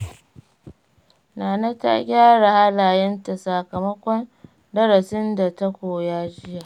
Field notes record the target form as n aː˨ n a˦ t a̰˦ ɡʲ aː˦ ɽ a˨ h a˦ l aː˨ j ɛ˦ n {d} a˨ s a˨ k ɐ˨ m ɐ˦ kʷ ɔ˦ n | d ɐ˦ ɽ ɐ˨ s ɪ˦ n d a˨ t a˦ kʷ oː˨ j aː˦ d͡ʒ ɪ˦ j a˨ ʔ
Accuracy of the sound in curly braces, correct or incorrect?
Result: incorrect